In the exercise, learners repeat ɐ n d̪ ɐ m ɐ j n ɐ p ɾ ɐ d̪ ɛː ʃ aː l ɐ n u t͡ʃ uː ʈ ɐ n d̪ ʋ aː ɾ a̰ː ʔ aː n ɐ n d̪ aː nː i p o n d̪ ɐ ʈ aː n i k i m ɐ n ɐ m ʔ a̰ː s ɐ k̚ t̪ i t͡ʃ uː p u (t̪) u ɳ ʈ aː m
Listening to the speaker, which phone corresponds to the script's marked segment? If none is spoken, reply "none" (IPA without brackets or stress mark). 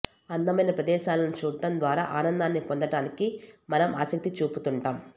t̪